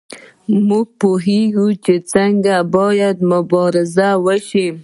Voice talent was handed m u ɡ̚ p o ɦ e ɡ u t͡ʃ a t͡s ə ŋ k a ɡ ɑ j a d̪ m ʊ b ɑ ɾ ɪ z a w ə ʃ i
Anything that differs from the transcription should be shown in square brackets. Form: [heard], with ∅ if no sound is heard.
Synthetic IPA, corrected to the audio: m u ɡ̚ p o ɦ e ɡ u t͡ʃ [e] t͡s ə ŋ [ɡ] a [b] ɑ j a d̪ m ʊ b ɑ ɾ ɪ z a w ə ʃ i